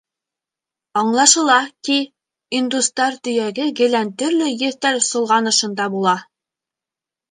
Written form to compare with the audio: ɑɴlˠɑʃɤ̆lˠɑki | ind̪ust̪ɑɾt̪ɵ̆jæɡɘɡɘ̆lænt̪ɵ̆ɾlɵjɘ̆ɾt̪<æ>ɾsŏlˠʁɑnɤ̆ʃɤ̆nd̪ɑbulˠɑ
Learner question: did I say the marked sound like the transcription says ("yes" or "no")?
yes